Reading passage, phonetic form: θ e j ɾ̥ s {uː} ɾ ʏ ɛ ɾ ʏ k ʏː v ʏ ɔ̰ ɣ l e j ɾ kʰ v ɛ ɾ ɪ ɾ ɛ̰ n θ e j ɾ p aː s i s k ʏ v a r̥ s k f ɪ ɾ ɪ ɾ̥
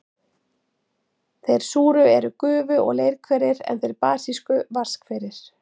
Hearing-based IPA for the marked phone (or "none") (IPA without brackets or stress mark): uː